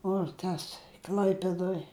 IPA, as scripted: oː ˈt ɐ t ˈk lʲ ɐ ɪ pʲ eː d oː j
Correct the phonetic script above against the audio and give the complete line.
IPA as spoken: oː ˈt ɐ s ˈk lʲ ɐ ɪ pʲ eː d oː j